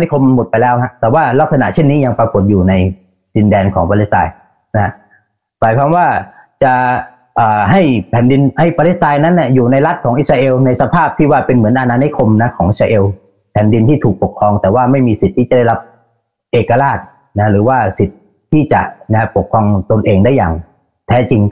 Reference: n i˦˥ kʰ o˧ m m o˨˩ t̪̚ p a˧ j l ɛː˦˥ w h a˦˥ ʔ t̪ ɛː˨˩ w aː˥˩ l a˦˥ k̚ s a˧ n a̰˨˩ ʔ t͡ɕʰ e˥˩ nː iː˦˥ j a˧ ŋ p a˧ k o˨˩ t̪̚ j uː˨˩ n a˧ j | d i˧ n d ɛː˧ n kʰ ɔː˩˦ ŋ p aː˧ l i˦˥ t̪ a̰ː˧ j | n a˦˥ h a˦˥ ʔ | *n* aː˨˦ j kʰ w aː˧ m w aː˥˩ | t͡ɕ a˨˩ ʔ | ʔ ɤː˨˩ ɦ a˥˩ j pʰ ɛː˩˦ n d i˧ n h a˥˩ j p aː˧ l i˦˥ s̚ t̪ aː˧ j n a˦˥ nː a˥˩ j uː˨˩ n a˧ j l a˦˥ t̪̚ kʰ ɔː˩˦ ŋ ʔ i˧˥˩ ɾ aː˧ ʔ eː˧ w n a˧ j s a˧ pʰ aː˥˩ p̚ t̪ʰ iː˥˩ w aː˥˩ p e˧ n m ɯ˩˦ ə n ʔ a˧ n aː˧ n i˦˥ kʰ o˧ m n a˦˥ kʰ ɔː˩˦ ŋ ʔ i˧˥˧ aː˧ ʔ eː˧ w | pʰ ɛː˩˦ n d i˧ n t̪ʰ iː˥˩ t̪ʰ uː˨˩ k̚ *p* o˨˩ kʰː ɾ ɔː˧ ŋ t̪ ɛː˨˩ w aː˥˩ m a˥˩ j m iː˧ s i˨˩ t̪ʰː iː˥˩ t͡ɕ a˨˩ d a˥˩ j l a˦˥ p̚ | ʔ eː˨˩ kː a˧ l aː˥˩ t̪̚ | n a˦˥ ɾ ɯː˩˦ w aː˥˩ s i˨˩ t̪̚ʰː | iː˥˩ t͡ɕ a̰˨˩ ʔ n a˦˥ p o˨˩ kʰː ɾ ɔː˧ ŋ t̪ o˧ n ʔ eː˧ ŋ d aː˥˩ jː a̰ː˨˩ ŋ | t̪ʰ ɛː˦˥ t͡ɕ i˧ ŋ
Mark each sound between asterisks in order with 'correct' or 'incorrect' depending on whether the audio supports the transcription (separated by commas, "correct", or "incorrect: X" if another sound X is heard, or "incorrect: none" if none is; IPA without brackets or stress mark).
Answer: incorrect: m, correct